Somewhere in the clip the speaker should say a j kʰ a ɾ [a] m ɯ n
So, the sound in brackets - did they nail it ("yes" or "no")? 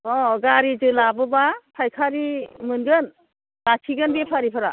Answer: no